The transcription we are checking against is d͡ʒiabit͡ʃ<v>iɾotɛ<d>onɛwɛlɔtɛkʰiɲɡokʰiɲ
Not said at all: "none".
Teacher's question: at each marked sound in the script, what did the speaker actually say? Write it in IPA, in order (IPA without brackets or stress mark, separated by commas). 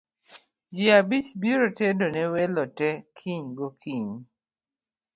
b, d